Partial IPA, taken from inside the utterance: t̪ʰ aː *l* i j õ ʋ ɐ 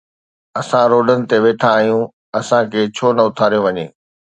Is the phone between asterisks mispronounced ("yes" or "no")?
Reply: yes